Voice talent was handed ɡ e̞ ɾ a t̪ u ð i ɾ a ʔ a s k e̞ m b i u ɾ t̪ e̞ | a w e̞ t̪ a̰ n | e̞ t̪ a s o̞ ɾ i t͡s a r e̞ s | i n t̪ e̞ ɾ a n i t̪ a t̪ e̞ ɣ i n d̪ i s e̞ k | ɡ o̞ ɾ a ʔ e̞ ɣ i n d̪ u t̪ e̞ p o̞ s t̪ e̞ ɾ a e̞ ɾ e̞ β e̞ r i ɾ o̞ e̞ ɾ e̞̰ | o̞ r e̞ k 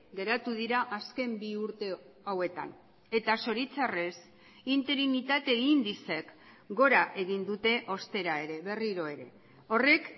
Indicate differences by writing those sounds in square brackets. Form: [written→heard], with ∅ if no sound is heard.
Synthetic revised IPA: ɡ e̞ ɾ a t̪ u ð i ɾ a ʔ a s k e̞ m b i u ɾ t̪ e̞ | a w e̞ t̪ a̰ n | e̞ t̪ a s o̞ ɾ i t͡s a r e̞ s | i n t̪ e̞ ɾ [a→i] n i t̪ a t̪ e̞ ɣ i n d̪ i s e̞ k | ɡ o̞ ɾ a ʔ e̞ ɣ i n d̪ u t̪ e̞ [p→ʔ] o̞ s t̪ e̞ ɾ a e̞ ɾ e̞ β e̞ r i ɾ o̞ e̞ ɾ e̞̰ | o̞ r e̞ k